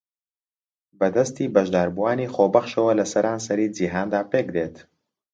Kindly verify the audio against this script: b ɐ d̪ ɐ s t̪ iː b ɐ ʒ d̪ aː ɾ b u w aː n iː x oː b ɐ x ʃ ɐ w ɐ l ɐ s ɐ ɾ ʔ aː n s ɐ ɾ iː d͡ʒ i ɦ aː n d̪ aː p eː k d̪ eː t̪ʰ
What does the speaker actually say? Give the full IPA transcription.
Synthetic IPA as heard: b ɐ d̪ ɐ s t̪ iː b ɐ ʒ d̪ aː ɾ b u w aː n iː x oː b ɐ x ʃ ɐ w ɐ l ɐ s ɐ ɾ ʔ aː n s ɐ ɾ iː d͡ʒ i ɦ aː n d̪ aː p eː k d̪ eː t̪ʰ